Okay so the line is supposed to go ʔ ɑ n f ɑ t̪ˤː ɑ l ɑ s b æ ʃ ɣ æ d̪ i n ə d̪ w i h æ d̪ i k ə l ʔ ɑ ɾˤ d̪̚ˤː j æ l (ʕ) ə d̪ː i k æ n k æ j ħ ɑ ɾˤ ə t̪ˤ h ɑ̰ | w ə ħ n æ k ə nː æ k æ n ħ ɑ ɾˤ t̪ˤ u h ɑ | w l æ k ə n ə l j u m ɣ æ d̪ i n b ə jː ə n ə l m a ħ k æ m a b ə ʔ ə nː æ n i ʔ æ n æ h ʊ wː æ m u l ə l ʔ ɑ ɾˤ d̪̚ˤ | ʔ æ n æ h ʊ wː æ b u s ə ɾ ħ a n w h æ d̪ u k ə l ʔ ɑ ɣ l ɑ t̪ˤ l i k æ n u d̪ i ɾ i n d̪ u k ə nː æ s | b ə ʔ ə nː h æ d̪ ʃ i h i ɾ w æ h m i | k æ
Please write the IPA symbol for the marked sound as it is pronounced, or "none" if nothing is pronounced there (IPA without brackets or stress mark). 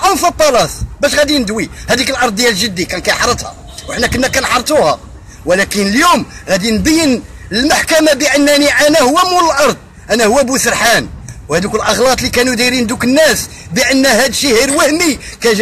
ʒ